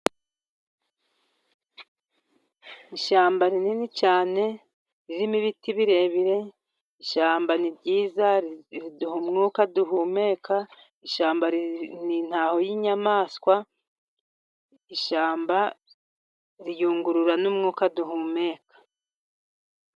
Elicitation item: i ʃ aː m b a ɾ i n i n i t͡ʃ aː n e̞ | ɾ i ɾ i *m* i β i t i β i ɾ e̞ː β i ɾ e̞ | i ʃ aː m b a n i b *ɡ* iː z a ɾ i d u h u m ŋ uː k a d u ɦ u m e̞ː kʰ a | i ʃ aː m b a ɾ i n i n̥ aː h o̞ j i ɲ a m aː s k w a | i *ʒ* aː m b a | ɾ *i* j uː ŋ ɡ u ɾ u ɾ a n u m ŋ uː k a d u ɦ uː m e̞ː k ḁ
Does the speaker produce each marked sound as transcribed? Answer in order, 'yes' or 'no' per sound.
yes, no, no, yes

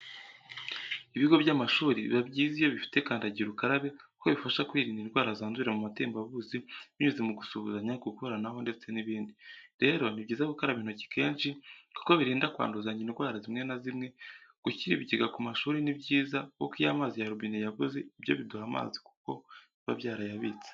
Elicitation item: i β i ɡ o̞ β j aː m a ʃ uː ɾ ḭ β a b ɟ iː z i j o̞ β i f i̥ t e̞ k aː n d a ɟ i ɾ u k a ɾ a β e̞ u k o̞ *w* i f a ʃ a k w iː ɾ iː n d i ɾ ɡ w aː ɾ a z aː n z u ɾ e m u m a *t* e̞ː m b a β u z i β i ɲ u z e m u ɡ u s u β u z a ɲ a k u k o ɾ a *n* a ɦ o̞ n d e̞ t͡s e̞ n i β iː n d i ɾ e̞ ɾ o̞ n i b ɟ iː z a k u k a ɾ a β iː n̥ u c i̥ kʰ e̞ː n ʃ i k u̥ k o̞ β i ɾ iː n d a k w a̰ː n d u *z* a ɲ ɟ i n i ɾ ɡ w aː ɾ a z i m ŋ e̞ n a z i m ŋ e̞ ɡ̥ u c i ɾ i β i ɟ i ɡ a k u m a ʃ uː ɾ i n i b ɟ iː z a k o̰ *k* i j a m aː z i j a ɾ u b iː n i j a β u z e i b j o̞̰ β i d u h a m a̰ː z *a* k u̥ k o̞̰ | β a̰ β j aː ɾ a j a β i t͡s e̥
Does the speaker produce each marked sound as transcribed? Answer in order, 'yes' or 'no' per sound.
no, yes, yes, yes, yes, no

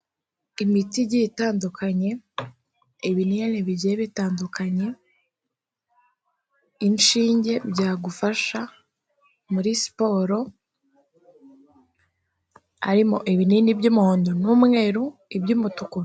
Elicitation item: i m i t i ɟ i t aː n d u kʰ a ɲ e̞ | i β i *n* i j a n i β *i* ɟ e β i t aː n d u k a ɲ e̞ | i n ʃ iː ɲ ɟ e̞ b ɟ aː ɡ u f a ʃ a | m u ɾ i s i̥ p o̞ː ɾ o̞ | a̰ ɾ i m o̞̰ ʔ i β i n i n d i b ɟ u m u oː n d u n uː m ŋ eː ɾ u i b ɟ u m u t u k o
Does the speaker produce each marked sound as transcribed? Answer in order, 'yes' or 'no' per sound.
yes, yes

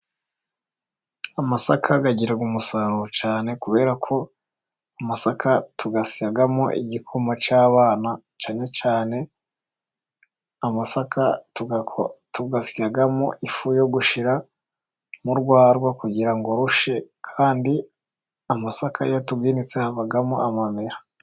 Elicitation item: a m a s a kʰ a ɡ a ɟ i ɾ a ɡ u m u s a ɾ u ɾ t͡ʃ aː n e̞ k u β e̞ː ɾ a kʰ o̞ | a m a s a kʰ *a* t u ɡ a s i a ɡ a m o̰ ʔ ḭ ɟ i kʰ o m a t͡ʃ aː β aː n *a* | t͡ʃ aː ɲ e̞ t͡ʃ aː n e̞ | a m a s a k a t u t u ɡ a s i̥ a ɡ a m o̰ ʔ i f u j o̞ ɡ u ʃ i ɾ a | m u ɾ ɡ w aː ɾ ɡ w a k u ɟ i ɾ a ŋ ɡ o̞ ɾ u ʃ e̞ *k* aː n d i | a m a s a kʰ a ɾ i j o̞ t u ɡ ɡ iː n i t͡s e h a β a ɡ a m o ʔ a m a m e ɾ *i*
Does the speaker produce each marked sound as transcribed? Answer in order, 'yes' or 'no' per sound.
yes, yes, no, no

